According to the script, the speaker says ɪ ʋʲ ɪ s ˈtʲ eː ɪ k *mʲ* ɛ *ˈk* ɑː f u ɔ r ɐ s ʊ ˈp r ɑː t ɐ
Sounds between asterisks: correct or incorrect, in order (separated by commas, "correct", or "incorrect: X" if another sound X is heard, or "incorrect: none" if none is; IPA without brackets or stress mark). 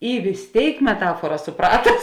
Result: correct, incorrect: t